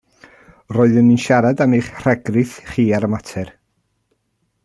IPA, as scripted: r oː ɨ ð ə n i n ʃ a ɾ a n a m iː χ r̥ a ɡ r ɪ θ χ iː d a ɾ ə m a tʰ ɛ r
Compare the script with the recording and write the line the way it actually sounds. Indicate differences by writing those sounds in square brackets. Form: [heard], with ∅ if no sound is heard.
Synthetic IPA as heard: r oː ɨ ð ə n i n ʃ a ɾ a [d] a m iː χ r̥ [ɛ] ɡ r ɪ θ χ iː [∅] a ɾ ə m a tʰ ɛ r